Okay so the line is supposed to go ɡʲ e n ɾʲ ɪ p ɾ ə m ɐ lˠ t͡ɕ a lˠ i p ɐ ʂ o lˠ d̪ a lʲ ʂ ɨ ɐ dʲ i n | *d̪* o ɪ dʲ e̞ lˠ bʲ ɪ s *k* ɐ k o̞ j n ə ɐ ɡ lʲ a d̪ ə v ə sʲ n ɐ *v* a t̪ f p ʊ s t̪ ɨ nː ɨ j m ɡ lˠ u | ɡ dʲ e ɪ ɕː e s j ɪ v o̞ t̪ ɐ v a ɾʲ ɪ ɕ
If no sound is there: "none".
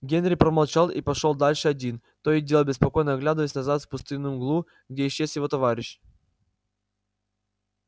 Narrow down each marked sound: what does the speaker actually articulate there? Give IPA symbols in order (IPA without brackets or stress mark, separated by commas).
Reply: t̪, p, z